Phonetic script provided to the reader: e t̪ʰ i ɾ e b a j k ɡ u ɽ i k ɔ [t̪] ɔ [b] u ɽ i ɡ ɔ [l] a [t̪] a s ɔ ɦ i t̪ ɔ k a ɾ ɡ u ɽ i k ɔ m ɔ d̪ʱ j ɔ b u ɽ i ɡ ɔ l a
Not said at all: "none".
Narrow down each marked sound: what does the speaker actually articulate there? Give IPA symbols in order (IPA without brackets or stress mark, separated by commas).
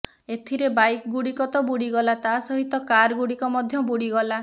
t̪, b, l, t̪